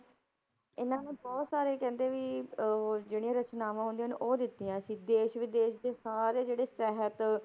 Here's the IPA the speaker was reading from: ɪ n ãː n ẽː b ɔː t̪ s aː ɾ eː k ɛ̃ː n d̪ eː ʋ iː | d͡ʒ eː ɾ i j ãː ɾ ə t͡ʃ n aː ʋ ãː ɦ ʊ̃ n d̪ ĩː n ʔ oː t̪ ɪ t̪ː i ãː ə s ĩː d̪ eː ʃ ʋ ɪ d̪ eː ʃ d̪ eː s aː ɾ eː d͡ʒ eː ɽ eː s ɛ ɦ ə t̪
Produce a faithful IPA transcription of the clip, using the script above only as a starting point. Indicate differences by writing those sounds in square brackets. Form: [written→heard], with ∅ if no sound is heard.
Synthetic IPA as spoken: ɪ n ãː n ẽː b ɔː t̪ s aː ɾ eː k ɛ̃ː n d̪ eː ʋ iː | d͡ʒ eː [ɾ→ɽ] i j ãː ɾ ə t͡ʃ n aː ʋ ãː ɦ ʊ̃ n d̪ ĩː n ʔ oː [t̪→d̪] ɪ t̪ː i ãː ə s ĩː d̪ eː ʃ ʋ ɪ d̪ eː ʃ d̪ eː s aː ɾ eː d͡ʒ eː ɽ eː s ɛ ɦ ə t̪

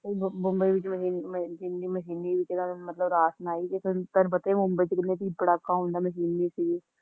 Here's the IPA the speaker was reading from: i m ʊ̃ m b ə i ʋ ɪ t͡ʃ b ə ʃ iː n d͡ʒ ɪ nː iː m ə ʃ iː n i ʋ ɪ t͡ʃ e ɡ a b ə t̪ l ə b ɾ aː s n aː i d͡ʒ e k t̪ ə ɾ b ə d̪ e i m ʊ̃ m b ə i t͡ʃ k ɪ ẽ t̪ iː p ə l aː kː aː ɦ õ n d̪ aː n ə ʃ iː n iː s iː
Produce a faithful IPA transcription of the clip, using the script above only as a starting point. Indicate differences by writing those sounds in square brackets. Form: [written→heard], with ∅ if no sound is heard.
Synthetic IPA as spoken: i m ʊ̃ m b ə i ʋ ɪ t͡ʃ [b→m] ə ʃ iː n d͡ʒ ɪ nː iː m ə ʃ iː n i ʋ ɪ t͡ʃ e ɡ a [b→m] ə t̪ l ə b ɾ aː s n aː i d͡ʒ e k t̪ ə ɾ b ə [d̪→t̪] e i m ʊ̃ m b ə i t͡ʃ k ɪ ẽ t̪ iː p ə [l→ɽ] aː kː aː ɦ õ n d̪ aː [n→m] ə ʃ iː n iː s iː

